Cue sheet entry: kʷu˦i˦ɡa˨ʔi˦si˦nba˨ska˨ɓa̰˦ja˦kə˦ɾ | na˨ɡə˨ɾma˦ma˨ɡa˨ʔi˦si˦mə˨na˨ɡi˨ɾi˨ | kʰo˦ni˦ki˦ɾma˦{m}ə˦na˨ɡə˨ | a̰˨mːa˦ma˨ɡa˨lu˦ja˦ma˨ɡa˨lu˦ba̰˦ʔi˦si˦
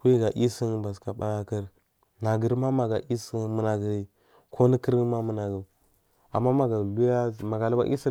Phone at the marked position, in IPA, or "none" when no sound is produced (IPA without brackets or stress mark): m